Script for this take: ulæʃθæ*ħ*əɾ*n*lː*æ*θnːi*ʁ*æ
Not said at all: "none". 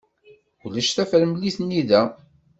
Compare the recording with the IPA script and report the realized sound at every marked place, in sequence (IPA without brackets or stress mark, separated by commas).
f, m, i, ð